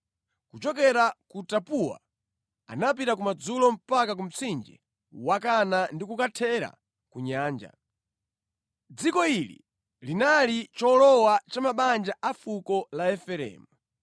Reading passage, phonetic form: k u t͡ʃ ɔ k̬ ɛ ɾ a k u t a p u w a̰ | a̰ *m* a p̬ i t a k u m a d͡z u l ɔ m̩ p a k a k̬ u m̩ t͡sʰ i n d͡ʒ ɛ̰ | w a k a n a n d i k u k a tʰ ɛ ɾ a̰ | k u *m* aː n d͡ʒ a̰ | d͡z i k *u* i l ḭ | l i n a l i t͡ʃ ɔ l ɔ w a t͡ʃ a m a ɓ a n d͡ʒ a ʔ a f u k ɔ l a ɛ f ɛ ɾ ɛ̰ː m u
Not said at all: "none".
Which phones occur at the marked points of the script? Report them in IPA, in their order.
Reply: n, ɲ, ɔ

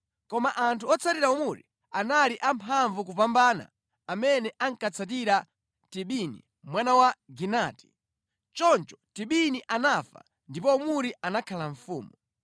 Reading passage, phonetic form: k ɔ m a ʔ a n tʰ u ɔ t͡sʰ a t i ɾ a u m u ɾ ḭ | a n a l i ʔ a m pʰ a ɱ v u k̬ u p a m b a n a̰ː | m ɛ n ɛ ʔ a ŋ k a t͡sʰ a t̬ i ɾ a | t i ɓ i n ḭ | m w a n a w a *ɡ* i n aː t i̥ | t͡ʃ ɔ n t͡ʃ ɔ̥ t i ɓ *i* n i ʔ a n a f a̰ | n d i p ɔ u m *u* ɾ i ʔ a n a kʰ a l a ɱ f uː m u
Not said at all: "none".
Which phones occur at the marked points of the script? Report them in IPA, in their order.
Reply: ɡ, i, u

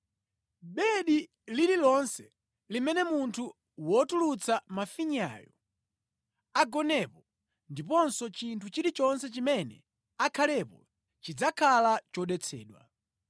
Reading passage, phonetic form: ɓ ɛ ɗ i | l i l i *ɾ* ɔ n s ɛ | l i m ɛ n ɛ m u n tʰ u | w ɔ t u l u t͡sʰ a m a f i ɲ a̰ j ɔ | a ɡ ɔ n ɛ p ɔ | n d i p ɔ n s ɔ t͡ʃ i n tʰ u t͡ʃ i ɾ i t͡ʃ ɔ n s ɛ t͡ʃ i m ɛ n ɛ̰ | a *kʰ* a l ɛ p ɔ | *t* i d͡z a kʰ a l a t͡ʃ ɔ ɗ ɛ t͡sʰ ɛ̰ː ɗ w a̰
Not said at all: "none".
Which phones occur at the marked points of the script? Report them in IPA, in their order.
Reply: l, kʰ, t͡ʃ

